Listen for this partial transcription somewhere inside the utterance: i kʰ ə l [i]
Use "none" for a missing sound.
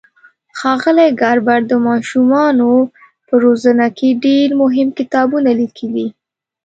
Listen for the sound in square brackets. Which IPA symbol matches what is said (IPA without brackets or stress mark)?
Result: i